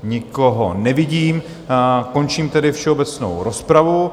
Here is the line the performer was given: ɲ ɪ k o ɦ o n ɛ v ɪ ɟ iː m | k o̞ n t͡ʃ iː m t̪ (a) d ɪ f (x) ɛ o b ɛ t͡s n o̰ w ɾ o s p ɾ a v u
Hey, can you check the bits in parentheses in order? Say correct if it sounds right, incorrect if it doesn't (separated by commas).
incorrect, incorrect